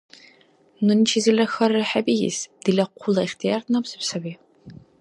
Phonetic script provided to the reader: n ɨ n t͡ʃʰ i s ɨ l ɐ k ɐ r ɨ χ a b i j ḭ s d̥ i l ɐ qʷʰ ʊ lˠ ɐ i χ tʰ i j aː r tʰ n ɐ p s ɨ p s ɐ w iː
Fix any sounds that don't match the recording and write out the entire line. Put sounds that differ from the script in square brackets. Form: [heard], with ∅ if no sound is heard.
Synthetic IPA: n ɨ n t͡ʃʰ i [z] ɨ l ɐ [x] ɐ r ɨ [ħ] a b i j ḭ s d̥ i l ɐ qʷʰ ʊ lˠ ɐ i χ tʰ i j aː r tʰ n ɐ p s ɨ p s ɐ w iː